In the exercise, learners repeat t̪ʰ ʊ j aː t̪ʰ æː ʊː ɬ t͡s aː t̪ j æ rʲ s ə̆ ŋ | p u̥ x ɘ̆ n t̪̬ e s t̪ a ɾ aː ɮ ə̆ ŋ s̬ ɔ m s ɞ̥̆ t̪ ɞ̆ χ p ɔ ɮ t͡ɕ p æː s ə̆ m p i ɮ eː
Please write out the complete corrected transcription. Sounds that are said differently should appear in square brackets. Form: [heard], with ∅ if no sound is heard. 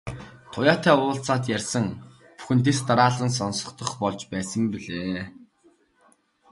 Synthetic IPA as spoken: t̪ʰ ʊ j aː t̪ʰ æː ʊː ɬ t͡s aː t̪ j æ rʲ s ə̆ ŋ | p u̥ x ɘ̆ n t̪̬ e s t̪ a ɾ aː ɮ ə̆ [n] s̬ ɔ [n] s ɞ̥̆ t̪ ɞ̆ χ p ɔ ɮ t͡ɕ p æː s ə̆ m p i ɮ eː